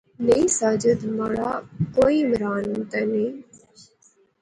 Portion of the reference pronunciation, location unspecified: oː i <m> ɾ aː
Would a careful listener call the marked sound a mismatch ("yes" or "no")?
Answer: no